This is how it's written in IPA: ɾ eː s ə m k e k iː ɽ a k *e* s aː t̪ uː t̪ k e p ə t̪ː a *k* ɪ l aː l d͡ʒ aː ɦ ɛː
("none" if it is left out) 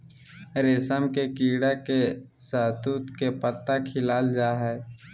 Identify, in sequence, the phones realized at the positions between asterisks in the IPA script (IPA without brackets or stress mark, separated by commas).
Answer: e, kʰ